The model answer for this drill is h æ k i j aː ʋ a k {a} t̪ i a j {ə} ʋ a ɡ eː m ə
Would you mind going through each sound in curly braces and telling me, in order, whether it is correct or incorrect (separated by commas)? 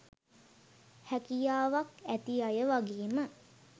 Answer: incorrect, correct